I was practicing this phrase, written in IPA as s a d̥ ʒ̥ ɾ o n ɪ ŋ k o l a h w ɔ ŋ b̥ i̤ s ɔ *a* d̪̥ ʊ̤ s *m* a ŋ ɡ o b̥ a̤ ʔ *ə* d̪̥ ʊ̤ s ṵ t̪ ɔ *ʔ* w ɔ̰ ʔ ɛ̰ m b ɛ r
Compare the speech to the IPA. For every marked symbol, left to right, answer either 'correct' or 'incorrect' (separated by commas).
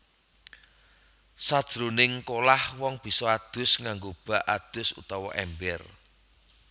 correct, incorrect, incorrect, incorrect